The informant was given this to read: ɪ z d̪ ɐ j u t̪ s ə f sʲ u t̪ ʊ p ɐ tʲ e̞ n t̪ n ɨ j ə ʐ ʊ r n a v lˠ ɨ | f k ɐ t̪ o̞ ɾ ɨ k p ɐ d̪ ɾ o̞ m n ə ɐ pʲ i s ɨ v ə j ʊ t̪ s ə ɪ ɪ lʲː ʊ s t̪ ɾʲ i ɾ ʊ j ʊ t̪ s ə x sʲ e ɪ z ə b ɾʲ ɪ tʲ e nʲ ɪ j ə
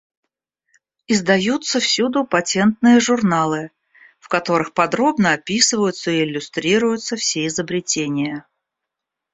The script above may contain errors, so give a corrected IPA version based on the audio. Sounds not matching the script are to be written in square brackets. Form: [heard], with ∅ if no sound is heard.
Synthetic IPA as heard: ɪ z d̪ ɐ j u t̪ s ə f sʲ u [d̪] ʊ p ɐ tʲ e̞ n t̪ n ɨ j ə ʐ ʊ r n a [∅] lˠ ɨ | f k ɐ t̪ o̞ ɾ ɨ [x] p ɐ d̪ ɾ o̞ [b] n ə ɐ pʲ i s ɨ v ə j ʊ t̪ s ə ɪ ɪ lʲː ʊ s t̪ ɾʲ i ɾ ʊ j ʊ t̪ s ə [f] sʲ e ɪ z ə b ɾʲ ɪ tʲ e nʲ ɪ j ə